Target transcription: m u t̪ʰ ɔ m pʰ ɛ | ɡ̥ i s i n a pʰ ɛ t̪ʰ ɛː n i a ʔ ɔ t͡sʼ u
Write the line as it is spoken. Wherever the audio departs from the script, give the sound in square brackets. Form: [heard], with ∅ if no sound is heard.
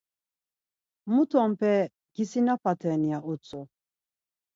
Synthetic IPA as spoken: m u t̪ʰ ɔ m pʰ ɛ | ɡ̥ i s i n a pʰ [a] t̪ʰ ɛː n i a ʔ [u] t͡sʼ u